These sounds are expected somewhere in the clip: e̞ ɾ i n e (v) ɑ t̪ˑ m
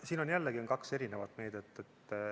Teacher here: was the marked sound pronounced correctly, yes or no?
yes